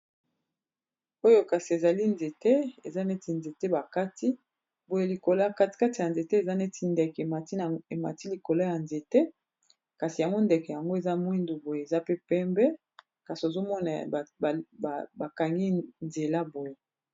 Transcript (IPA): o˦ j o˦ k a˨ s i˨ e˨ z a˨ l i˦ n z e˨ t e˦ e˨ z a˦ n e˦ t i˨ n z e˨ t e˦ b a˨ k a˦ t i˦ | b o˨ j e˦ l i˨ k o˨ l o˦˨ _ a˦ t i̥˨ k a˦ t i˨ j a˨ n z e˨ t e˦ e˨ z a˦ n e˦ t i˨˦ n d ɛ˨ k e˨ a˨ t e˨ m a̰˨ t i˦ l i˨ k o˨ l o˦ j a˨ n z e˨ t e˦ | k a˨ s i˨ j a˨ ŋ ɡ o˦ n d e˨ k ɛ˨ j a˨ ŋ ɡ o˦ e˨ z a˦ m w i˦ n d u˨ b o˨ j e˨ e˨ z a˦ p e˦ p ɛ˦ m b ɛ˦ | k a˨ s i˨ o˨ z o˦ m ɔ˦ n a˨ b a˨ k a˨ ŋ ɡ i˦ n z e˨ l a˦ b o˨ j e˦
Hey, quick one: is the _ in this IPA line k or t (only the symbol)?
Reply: k